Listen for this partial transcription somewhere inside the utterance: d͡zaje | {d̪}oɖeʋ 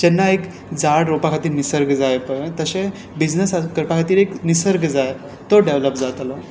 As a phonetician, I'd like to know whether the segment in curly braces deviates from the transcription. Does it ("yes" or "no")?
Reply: yes